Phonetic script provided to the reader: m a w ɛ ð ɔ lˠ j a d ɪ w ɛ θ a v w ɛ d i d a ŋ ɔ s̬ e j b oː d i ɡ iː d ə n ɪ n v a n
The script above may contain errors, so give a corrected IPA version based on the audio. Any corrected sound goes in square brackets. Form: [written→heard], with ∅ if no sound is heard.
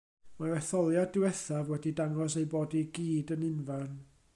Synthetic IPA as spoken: m a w ɛ [ð→θ] ɔ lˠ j a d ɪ w ɛ θ a v w ɛ d i d a ŋ ɔ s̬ e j b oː d i ɡ iː d ə n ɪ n v a n